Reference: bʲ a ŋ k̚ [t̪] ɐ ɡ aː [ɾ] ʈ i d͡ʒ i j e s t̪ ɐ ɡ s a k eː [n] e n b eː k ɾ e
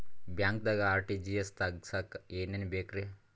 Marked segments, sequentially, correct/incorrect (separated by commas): incorrect, correct, correct